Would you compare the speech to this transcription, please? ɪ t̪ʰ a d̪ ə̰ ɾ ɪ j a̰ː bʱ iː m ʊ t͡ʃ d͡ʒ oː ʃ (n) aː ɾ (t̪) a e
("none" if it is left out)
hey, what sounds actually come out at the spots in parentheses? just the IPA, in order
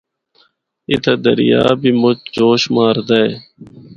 m, d̪

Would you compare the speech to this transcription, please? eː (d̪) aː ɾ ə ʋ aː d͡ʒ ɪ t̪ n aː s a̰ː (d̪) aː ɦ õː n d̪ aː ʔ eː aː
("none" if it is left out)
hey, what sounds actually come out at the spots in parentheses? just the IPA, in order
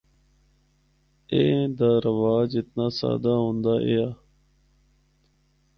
d̪, d̪

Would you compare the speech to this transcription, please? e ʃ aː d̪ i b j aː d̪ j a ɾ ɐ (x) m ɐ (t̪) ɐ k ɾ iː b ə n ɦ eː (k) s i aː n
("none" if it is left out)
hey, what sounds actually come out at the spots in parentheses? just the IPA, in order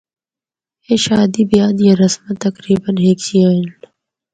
s, t̪, k

